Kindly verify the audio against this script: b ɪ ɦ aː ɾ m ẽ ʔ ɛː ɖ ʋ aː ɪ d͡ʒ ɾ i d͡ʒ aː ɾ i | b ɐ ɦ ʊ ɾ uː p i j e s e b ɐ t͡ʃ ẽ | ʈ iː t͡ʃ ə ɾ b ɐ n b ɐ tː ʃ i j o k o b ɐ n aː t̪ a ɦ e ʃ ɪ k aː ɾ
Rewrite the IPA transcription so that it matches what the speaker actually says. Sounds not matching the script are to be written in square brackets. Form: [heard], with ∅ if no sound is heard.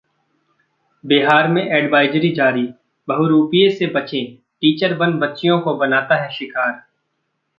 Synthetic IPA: b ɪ ɦ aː ɾ m ẽ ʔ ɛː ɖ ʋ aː ɪ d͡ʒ ɾ i d͡ʒ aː ɾ i | b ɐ ɦ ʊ ɾ uː p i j e s e b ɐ t͡ʃ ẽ | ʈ iː t͡ʃ ə ɾ b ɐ n b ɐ tː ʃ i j [õ] k o b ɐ n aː t̪ a ɦ [ɛ] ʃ ɪ k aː ɾ